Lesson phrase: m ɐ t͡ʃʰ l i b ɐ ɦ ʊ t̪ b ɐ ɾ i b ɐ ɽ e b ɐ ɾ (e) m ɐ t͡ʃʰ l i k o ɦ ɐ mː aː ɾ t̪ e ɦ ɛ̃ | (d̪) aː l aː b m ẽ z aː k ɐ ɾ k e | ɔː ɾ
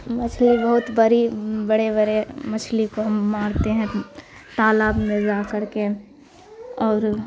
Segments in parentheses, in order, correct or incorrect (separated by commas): correct, incorrect